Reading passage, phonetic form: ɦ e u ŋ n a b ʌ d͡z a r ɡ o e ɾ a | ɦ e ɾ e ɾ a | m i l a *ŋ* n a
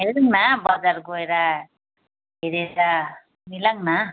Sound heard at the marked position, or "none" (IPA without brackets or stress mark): ŋ